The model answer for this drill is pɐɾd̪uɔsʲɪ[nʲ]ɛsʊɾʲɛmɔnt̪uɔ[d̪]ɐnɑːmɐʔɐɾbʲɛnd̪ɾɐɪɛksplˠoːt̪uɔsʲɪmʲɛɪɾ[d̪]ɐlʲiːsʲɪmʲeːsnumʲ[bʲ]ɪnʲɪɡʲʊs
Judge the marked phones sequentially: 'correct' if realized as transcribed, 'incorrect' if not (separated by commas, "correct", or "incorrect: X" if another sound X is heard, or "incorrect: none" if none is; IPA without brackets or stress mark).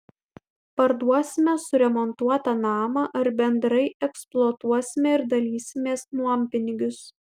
incorrect: mʲ, incorrect: t̪, correct, incorrect: pʲ